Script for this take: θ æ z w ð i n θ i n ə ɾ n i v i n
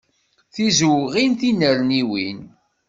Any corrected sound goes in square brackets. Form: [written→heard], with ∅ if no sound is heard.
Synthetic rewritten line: θ [æ→i] z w [ð→ʁ] i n θ i n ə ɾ n i [v→w] i n